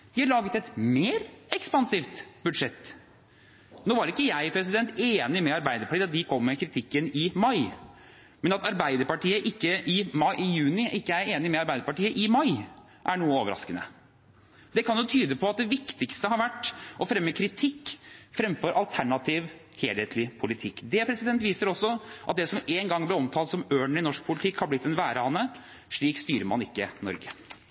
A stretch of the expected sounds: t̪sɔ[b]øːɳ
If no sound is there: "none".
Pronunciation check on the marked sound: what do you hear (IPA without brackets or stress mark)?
m